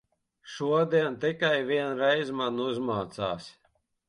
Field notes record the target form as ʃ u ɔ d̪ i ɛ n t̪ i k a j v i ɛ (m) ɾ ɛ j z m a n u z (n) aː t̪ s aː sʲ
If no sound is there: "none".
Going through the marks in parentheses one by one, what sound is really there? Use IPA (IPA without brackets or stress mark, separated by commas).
n, m